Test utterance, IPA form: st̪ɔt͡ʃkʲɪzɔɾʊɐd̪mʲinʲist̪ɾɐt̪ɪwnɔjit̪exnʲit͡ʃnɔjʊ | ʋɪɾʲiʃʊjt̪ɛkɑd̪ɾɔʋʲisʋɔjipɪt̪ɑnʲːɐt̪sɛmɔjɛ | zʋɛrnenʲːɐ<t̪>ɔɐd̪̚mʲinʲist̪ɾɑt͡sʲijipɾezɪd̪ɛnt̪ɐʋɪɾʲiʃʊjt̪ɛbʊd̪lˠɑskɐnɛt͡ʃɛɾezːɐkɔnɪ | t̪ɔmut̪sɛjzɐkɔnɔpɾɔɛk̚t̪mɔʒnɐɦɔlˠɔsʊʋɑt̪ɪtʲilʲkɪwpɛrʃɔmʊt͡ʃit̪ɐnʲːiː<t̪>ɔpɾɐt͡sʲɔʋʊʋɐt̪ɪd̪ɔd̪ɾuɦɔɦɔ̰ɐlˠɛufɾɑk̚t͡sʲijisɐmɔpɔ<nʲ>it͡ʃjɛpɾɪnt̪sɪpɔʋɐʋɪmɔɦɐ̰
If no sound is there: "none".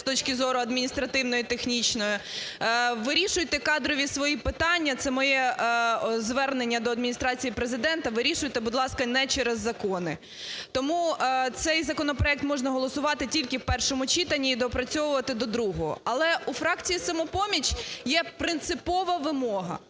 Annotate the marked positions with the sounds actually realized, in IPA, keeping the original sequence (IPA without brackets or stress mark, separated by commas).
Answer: d̪, d̪, mʲ